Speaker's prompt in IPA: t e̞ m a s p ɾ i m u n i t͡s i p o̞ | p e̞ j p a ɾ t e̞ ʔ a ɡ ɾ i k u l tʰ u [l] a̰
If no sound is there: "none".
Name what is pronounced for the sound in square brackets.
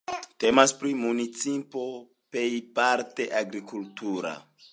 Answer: ɾ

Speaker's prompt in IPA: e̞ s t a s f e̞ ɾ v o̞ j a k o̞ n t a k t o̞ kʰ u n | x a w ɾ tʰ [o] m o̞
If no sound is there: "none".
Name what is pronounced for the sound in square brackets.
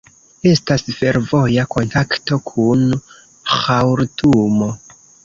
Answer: u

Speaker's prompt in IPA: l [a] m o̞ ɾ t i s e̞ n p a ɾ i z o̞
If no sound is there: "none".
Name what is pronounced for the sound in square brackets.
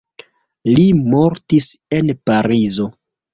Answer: i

